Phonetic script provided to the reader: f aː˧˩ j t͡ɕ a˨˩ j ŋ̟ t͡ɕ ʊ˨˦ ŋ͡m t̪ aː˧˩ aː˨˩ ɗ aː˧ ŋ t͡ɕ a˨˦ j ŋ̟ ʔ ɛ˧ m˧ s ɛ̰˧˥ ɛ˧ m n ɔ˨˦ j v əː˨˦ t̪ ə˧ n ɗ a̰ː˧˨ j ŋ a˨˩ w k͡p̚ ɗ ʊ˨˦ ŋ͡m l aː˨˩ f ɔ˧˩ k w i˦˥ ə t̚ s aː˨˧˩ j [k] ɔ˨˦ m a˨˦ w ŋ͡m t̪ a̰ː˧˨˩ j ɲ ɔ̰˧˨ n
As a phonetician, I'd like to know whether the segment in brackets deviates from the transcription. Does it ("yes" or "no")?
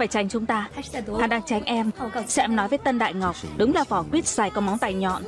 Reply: no